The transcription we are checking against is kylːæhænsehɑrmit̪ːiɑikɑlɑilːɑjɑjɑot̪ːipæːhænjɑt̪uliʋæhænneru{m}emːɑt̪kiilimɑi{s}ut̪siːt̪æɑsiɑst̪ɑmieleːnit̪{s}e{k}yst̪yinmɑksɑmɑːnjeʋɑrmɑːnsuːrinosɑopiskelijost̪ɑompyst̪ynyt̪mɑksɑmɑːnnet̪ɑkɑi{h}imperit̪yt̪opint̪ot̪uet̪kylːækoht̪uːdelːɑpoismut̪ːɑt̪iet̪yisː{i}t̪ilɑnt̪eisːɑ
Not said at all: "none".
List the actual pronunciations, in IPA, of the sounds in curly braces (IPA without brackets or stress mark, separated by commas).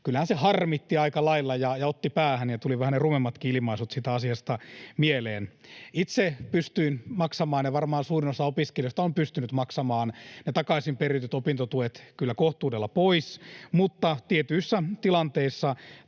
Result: m, s, s, p, s, æ